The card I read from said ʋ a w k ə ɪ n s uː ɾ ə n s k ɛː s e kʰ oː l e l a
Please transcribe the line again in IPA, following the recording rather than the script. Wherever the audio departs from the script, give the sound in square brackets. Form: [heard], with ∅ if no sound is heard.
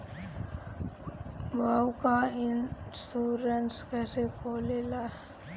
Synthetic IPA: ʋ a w k [a] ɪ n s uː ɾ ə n s k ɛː s e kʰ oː l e l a